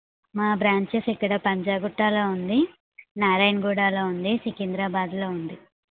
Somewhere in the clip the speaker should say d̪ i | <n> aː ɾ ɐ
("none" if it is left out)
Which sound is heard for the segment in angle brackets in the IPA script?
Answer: n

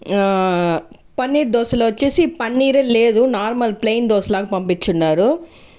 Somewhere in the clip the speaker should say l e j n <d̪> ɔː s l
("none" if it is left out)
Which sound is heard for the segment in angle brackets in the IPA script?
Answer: d̪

